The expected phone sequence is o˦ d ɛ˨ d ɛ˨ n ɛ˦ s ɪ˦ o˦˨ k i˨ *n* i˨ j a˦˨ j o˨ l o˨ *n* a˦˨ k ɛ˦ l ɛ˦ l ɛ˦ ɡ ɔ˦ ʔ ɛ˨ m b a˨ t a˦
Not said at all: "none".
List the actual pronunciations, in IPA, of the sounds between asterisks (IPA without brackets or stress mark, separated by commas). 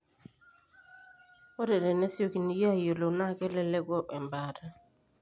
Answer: n, n